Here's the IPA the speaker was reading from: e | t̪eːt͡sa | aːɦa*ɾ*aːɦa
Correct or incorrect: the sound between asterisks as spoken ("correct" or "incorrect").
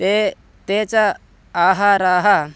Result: correct